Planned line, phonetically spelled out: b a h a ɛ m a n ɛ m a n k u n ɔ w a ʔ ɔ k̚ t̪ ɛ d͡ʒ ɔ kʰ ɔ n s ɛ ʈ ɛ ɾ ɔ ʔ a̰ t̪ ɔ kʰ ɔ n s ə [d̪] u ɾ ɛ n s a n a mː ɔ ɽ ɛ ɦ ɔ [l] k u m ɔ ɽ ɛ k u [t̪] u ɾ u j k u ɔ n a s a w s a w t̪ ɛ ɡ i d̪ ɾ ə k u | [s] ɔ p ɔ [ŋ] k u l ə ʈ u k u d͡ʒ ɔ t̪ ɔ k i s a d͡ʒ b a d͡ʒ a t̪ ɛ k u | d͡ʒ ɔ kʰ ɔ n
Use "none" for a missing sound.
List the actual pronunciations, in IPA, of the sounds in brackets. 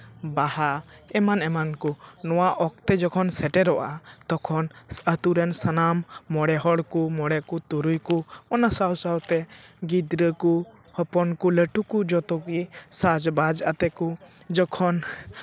t̪, ɽ, t̪, h, n

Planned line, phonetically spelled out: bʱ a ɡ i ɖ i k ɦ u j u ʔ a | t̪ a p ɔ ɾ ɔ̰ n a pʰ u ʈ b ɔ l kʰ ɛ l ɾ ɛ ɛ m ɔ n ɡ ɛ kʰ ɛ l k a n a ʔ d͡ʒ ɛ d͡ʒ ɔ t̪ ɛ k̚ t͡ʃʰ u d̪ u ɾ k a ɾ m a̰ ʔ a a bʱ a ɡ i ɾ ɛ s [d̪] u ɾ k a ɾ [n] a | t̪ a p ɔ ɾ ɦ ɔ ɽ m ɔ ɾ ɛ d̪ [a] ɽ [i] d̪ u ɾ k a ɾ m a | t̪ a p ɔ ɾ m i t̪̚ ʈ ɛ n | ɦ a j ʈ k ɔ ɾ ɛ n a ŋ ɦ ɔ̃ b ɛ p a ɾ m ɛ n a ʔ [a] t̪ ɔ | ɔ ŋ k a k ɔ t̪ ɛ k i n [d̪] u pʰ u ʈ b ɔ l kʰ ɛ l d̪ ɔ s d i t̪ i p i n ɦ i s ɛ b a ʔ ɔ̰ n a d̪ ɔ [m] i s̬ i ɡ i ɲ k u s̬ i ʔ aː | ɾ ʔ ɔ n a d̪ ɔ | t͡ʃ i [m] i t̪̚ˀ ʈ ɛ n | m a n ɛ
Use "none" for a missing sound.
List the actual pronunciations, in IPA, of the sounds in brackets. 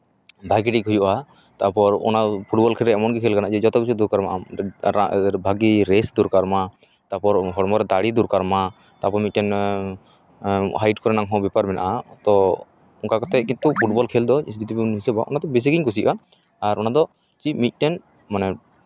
d̪, m, a, i, a, t̪, b, m

